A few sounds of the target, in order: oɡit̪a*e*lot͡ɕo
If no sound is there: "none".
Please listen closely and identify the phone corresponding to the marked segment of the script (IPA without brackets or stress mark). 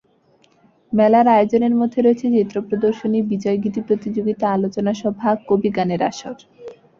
a